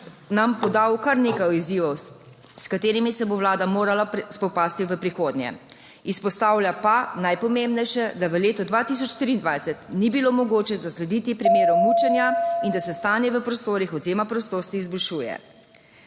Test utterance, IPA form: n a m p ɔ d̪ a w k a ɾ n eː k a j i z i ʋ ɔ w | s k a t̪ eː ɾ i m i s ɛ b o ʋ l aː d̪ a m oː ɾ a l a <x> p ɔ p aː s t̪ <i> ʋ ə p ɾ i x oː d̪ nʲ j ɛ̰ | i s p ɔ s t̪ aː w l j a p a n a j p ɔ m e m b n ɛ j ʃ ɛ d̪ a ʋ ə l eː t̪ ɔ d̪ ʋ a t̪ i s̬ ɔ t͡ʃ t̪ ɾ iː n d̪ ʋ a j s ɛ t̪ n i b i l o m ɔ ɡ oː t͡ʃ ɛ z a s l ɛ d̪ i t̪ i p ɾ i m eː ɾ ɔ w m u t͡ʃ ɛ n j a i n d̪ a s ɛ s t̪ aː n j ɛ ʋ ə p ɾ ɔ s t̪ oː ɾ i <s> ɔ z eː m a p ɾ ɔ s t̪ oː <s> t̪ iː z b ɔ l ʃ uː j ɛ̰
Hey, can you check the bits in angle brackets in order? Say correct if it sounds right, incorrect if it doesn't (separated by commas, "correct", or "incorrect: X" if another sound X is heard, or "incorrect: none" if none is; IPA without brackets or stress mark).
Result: incorrect: s, correct, incorrect: x, correct